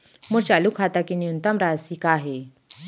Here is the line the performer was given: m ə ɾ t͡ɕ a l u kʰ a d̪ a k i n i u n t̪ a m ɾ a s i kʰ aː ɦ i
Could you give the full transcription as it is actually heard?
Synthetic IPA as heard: m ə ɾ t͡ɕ a l u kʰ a t̪ a k i n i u n t̪ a m ɾ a s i k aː ɦ e

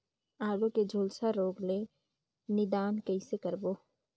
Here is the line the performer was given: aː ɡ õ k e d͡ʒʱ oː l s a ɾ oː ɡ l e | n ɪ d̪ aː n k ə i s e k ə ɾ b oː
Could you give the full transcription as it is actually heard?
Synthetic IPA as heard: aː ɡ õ k e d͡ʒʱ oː l s a ɾ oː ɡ l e | n ɪ d̪ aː n k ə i s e k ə ɾ b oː

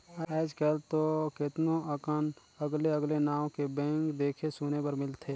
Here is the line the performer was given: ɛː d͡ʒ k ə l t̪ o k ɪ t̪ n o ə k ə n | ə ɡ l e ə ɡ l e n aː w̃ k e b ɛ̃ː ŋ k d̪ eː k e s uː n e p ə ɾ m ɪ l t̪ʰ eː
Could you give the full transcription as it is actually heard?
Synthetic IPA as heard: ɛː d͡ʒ k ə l t̪ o k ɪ t̪ n o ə k ə n | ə ɡ l e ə ɡ l e n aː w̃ k e b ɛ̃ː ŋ k d̪ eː kʰ e s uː n e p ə ɾ m ɪ l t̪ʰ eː

